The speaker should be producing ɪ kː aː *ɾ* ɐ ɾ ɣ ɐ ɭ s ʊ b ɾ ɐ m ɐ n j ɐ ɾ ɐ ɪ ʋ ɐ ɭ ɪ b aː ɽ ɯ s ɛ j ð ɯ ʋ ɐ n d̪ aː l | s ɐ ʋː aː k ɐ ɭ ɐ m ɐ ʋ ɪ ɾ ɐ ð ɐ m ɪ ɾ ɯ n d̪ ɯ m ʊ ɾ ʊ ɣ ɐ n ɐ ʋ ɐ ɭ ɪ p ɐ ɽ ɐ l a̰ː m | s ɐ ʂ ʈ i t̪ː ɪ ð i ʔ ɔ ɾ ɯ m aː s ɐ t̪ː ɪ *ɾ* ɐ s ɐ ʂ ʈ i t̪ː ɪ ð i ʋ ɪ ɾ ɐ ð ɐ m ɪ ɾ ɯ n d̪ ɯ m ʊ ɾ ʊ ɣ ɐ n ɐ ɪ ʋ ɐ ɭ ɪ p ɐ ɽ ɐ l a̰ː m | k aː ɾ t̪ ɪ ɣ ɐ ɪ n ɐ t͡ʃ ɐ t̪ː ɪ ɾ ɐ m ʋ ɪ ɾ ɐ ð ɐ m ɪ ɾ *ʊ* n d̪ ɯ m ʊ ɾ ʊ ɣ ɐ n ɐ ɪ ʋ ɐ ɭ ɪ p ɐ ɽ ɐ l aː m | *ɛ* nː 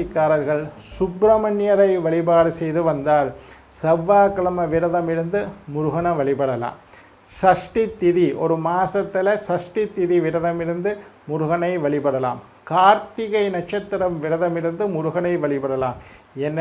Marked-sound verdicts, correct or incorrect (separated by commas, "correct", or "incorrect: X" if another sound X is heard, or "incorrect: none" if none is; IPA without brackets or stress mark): correct, incorrect: l, incorrect: ɯ, correct